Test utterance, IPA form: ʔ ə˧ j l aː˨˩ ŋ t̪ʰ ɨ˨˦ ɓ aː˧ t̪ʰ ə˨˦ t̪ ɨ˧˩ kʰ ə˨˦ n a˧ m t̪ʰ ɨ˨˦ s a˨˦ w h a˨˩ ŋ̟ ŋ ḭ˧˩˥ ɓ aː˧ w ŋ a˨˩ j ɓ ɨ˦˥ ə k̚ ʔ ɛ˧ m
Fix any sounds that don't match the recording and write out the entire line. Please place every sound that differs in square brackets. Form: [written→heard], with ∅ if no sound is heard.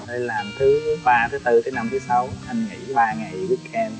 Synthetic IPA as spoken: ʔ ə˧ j l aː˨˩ [ŋ→m] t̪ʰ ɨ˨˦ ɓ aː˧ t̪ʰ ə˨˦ t̪ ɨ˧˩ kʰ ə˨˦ n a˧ m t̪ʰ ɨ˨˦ s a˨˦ w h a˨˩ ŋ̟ ŋ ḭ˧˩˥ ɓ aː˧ [w→∅] ŋ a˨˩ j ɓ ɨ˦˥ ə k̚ ʔ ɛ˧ m